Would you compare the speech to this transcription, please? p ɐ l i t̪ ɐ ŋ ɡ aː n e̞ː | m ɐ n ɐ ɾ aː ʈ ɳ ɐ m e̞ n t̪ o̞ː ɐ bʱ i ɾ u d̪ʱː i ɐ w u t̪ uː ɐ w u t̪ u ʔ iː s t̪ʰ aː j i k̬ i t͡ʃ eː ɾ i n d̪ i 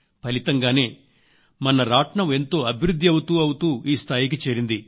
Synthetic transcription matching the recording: p ɐ l i t̪ ɐ ŋ ɡ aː n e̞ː | m ɐ n ɐ ɾ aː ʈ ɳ ɐ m e̞ n t̪ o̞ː ɐ bʱ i ɾ u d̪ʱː i ɐ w u t̪ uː ɐ w u t̪ uː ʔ iː s t̪ʰ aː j i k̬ i t͡ʃ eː ɾ i n d̪ i